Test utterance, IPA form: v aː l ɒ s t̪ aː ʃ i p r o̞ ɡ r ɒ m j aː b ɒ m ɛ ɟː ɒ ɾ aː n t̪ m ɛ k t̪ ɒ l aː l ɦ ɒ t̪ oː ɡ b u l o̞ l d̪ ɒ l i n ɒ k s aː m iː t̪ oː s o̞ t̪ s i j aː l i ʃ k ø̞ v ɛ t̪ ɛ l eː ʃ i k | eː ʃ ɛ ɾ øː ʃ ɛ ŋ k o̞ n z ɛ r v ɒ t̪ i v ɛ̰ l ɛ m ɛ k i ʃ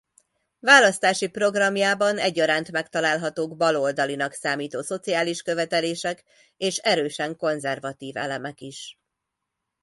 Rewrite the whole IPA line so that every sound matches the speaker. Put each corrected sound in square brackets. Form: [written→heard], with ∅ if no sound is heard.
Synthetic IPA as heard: v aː l ɒ s t̪ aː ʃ i p r o̞ ɡ r ɒ m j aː b ɒ [m→n] ɛ ɟː ɒ ɾ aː n t̪ m ɛ k t̪ ɒ l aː l ɦ ɒ t̪ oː ɡ b [u→ɒ] l o̞ l d̪ ɒ l i n ɒ k s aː m iː t̪ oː s o̞ t̪ s i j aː l i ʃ k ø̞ v ɛ t̪ ɛ l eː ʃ [i→ɛ] k | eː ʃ ɛ ɾ øː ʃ ɛ ŋ k o̞ n z ɛ r v ɒ t̪ [i→iː] v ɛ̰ l ɛ m ɛ k i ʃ